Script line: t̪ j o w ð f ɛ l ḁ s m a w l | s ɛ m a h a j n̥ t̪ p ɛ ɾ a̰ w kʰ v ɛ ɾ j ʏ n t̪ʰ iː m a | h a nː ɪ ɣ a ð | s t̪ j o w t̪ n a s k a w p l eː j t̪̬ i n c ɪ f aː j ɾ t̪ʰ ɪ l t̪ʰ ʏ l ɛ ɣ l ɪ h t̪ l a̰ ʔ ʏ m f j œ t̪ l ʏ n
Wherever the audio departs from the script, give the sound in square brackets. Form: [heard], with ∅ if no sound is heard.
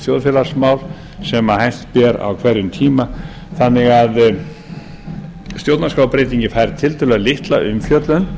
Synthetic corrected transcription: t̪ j o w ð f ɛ l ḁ s m a w l | s ɛ m a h a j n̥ t̪ p ɛ ɾ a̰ w kʰ v ɛ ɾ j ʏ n t̪ʰ iː m a | [θ] a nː ɪ ɣ a ð | s t̪ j o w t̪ n a s k a w p [ɾ] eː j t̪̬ i [ɲ] c ɪ f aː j ɾ t̪ʰ ɪ l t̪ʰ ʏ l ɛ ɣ l ɪ h t̪ l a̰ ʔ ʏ m f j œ t̪ l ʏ n